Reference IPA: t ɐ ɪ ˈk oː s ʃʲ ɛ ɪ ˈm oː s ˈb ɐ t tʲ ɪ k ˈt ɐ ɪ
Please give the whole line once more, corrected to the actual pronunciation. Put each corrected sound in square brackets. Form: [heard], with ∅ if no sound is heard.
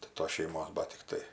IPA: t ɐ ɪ [ˈt] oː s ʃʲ ɛ ɪ ˈm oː s ˈb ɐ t tʲ ɪ k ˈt ɐ ɪ

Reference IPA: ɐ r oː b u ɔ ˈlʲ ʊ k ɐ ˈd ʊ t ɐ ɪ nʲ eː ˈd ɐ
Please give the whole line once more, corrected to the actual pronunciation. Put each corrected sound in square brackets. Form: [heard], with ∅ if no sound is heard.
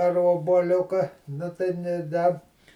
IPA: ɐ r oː b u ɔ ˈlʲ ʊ k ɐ [ˈn] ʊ t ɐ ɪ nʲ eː ˈd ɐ

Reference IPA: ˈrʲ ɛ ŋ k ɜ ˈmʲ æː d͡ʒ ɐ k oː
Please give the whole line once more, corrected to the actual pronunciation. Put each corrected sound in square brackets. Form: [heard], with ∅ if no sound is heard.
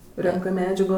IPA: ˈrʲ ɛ ŋ k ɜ ˈmʲ æː d͡ʒ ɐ [ɡ] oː

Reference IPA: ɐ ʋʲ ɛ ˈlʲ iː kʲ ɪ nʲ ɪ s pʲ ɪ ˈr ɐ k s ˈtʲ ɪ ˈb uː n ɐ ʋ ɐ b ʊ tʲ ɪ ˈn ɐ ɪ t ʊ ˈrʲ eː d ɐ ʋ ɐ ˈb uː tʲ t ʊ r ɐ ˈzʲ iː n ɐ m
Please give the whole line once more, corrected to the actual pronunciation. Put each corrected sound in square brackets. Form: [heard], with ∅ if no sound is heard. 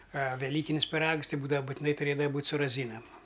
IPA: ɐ ʋʲ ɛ ˈlʲ iː kʲ ɪ nʲ ɪ s pʲ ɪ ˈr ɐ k s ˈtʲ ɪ ˈb uː [d] ɐ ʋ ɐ b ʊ tʲ ɪ ˈn ɐ ɪ t ʊ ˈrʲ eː d ɐ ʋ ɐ ˈb uː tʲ [s] ʊ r ɐ ˈzʲ iː n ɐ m

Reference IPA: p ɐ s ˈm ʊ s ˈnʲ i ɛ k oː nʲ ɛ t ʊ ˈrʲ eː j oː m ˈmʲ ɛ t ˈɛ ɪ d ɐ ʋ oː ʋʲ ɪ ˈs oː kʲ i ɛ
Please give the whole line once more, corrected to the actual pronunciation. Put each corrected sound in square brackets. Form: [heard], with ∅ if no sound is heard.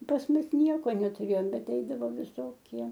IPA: p ɐ s ˈm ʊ s ˈnʲ i ɛ k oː nʲ ɛ t ʊ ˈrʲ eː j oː m [ˈbʲ] ɛ t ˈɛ ɪ d ɐ ʋ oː ʋʲ ɪ ˈs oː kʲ i ɛ

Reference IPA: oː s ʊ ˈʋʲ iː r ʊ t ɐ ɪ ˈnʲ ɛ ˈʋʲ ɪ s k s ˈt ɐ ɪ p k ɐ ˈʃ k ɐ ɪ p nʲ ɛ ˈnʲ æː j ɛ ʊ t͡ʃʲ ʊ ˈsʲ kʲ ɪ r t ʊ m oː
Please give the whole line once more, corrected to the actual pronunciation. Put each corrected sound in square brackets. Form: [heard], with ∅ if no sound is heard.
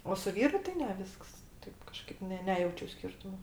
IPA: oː s ʊ ˈʋʲ iː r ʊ t ɐ ɪ ˈnʲ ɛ ˈʋʲ ɪ s k s ˈt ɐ ɪ p k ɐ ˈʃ k ɐ ɪ p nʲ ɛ ˈnʲ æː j ɛ ʊ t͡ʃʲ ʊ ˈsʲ kʲ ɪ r t ʊ m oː

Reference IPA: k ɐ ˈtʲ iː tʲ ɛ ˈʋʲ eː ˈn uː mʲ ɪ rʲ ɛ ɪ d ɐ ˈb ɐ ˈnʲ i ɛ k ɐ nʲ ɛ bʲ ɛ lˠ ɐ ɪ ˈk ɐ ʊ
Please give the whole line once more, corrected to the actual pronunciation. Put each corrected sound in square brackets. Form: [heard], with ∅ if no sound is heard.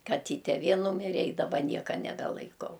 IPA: k ɐ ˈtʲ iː tʲ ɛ ˈʋʲ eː ˈn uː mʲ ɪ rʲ ɛ ɪ d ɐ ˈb ɐ ˈnʲ i ɛ k ɐ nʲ ɛ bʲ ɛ lˠ ɐ ɪ ˈk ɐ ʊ

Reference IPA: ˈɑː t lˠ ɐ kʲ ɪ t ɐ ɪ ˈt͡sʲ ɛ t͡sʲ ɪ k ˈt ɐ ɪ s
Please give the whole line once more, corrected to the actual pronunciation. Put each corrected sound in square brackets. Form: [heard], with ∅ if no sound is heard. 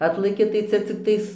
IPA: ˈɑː t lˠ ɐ kʲ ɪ t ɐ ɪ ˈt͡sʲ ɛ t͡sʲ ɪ k ˈt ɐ ɪ s

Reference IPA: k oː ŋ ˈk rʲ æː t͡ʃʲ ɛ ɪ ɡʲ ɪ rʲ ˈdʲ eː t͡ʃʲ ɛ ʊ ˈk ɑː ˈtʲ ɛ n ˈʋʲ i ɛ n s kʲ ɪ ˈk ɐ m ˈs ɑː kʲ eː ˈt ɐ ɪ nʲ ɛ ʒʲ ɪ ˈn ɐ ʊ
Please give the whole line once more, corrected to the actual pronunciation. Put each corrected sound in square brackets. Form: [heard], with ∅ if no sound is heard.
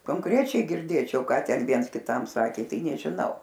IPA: k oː ŋ ˈk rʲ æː t͡ʃʲ ɛ ɪ ɡʲ ɪ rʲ ˈdʲ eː t͡ʃʲ ɛ ʊ ˈk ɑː ˈtʲ ɛ n ˈʋʲ i ɛ n s kʲ ɪ [ˈt] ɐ m ˈs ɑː kʲ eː ˈt ɐ ɪ nʲ ɛ ʒʲ ɪ ˈn ɐ ʊ

